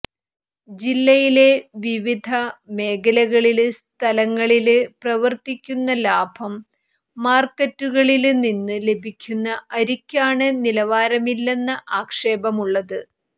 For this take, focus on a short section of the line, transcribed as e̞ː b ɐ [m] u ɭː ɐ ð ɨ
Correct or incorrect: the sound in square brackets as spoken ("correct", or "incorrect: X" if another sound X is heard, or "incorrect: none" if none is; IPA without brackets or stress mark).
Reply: correct